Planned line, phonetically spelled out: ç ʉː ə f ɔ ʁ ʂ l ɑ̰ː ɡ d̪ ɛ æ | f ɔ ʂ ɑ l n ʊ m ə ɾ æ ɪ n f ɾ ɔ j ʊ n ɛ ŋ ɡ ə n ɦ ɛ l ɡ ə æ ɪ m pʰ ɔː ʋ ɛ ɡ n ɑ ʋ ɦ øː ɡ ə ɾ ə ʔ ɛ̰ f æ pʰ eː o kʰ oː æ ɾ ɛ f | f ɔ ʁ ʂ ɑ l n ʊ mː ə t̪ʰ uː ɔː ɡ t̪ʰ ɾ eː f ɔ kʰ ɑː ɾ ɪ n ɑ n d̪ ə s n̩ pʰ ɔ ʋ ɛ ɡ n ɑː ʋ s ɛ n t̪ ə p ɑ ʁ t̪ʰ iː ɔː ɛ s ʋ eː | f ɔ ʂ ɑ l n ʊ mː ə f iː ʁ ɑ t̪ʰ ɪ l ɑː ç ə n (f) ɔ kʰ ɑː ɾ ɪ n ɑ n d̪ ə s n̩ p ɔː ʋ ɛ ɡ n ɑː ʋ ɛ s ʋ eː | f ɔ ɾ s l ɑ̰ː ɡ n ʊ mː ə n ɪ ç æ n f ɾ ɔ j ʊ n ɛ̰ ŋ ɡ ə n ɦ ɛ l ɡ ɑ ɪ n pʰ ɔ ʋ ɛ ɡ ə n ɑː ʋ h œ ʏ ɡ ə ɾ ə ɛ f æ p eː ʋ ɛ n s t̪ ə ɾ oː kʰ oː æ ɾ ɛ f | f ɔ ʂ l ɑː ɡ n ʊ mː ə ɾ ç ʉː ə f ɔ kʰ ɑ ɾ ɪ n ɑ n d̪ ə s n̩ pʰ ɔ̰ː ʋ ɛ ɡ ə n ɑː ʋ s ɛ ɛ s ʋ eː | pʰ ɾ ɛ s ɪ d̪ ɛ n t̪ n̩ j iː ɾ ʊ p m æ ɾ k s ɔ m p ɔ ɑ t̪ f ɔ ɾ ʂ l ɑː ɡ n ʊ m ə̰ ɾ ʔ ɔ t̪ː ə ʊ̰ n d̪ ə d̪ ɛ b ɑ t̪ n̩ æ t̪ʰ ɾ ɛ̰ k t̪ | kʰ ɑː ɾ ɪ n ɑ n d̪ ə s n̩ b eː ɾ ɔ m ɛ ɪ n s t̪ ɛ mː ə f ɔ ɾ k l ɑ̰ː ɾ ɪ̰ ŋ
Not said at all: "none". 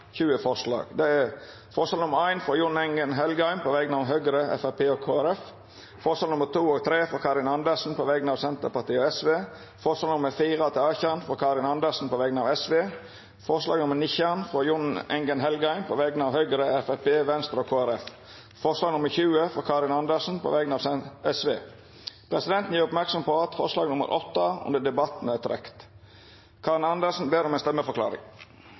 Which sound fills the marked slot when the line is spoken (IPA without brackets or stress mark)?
f